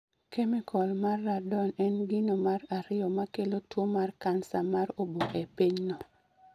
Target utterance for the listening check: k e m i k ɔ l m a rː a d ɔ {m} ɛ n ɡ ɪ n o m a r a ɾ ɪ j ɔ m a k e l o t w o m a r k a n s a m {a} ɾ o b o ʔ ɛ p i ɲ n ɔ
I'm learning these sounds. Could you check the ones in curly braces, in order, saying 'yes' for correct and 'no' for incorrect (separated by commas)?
no, yes